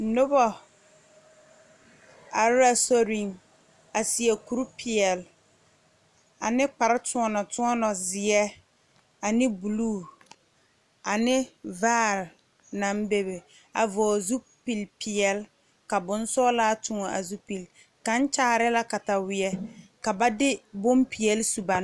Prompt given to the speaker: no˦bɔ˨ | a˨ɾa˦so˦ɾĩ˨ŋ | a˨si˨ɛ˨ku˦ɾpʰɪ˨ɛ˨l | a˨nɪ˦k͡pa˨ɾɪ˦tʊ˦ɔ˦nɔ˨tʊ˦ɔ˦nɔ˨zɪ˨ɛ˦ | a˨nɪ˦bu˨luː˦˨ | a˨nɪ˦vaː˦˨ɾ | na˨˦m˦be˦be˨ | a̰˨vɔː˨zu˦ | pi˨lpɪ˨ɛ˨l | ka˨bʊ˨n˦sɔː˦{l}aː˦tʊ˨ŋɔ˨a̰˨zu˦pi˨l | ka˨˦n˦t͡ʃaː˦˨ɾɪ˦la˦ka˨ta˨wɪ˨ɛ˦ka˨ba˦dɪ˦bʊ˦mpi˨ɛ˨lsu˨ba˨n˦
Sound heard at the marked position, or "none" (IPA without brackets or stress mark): l